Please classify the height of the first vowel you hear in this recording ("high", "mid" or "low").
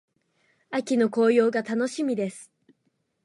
low